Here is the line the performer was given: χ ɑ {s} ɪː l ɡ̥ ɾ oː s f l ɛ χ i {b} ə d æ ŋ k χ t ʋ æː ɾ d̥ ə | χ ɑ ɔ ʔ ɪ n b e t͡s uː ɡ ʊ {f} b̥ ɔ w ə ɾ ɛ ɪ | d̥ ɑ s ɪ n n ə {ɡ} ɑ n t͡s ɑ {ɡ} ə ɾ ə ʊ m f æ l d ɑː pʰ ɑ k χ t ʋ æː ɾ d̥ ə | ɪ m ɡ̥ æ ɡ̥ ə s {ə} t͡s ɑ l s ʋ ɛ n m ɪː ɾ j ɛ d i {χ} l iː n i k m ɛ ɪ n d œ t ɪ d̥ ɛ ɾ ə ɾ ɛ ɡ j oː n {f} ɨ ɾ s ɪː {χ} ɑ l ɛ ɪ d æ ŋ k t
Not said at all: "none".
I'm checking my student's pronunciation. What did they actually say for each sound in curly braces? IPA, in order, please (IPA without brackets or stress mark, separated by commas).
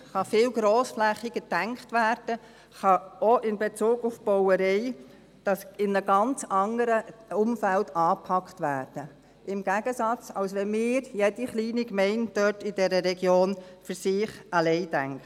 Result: f, ɡ, f, ɡ, ŋ, ɑ, χ, f, χ